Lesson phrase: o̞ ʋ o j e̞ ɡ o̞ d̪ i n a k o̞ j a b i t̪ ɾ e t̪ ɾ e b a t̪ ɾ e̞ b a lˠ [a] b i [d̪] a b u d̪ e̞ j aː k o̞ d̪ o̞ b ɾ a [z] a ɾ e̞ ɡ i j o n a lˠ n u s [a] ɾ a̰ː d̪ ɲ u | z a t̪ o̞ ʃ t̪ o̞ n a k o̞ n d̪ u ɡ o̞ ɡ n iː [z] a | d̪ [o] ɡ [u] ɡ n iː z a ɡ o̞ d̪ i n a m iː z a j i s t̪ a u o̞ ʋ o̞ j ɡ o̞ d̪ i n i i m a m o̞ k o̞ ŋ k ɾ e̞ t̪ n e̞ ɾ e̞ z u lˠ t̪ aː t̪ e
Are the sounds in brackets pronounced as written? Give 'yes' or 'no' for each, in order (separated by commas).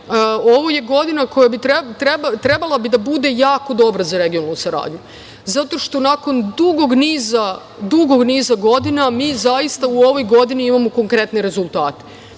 yes, yes, yes, yes, yes, no, no